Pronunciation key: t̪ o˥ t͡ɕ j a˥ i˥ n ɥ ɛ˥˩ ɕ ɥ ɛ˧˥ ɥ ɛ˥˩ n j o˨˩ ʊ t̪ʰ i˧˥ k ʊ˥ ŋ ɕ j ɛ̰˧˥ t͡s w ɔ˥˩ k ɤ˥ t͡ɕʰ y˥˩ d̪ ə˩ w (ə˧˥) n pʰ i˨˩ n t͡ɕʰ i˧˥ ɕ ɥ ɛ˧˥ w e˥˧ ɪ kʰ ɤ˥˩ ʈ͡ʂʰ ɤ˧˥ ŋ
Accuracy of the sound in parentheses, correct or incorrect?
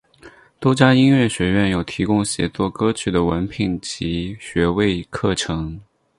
correct